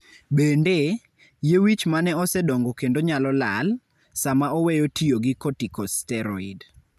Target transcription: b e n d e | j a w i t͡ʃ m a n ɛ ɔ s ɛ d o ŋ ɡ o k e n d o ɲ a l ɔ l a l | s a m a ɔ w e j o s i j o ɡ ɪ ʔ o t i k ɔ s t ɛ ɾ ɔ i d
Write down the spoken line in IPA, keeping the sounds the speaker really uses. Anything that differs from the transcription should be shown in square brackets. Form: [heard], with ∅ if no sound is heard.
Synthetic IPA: b e n d e | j [e] w i t͡ʃ m a n ɛ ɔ s ɛ d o ŋ ɡ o k e n d o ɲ a l ɔ l a l | s a m a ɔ w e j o [t] i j o ɡ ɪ [k] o t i k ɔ s t ɛ ɾ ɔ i d